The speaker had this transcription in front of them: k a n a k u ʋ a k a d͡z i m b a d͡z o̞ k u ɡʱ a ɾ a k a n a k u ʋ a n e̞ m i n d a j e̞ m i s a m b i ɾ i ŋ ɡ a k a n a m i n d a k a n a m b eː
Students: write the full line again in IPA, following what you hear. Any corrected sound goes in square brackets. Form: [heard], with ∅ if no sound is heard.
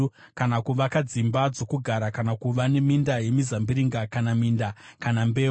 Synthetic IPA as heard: k a n a k u ʋ a k a d͡z i m b a d͡z o̞ k u ɡʱ a ɾ a k a n a k u ʋ a n e̞ m i n d a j e̞ m i [z] a m b i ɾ i ŋ ɡ a k a n a m i n d a k a n a m b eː